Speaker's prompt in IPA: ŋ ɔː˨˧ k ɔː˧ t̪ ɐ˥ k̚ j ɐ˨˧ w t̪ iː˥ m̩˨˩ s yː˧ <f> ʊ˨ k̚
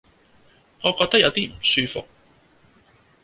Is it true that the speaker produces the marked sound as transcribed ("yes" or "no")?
yes